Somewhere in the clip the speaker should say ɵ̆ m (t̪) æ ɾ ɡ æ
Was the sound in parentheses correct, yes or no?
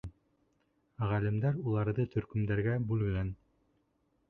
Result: no